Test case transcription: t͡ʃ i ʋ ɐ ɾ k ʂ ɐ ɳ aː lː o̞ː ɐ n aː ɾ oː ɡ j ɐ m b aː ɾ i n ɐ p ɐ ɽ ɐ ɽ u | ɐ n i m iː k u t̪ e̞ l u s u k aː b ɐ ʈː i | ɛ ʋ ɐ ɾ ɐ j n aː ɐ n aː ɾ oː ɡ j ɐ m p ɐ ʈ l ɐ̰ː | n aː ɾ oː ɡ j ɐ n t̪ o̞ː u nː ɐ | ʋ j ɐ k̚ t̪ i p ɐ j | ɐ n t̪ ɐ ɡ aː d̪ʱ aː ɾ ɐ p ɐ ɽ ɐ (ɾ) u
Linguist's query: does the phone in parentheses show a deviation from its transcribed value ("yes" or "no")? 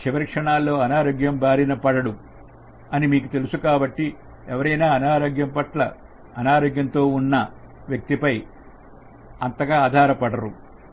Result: no